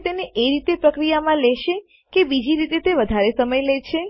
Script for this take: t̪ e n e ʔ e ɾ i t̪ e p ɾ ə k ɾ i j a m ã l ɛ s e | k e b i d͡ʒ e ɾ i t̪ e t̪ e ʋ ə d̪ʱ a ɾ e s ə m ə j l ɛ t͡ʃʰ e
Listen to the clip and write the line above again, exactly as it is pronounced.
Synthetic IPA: t̪ e n e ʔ e ɾ i t̪ e p ɾ ə k ɾ i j a m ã l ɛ ʃ e | k e b i d͡ʒ i ɾ i t̪ e t̪ e ʋ ə d̪ʱ a ɾ e s ə m ə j l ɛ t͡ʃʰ e

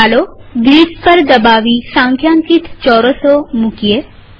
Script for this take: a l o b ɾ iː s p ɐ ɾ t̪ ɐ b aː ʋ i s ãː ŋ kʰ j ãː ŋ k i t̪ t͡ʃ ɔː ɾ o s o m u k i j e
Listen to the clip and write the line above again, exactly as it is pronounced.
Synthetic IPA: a l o ɡ ɾ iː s p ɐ ɾ d̪ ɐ b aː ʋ i s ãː ŋ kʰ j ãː ŋ k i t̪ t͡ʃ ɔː ɾ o s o m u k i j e

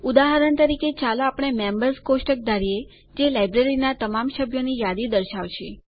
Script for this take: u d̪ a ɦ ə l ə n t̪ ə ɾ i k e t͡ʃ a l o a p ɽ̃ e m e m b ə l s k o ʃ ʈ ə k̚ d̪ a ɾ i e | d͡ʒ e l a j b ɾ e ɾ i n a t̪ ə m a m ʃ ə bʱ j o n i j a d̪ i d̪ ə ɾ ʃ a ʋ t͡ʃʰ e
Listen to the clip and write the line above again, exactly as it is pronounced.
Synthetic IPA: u d̪ a ɦ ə ɾ ə n t̪ ə ɾ i k e t͡ʃ a l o a p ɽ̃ e m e m b ə ɾ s k o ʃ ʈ ə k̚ d̪ a ɾ i e | d͡ʒ e l a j b ɾ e ɾ i n a t̪ ə m a m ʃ ə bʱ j o n i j a d̪ i d̪ ə ɾ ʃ a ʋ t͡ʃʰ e

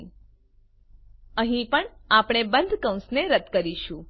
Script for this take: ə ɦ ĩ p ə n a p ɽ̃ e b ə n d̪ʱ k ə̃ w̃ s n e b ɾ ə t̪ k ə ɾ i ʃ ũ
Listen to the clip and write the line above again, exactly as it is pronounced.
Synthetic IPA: ə ɦ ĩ p ə ɳ a p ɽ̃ e b ə n d̪ʱ k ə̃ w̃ s n e ɾ ə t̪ k ə ɾ i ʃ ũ

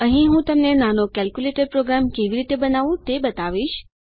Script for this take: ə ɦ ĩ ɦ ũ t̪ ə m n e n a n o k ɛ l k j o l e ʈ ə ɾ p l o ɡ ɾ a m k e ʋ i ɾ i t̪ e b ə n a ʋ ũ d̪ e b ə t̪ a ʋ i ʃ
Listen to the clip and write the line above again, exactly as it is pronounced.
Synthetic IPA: ə ɦ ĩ ɦ ũ t̪ ə m n e n a n o k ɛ l k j u l e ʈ ə ɾ p ɾ o ɡ ɾ a m k e ʋ i ɾ i t̪ e b ə n a ʋ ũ t̪ e b ə t̪ a ʋ i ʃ

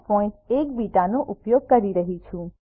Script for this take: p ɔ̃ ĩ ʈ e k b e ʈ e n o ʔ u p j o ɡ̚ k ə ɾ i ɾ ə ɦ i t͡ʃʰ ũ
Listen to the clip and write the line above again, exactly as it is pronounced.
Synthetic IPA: p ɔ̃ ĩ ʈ e k b i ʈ a n o ʔ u p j o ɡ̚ k ə ɾ i ɾ ə ɦ i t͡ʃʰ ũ

